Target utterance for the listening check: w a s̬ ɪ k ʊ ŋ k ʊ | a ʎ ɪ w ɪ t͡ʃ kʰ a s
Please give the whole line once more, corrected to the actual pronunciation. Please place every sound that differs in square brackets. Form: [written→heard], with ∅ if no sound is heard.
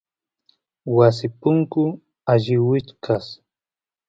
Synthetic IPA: w a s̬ ɪ [k→p] ʊ ŋ k ʊ | a ʎ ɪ w ɪ t͡ʃ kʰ a s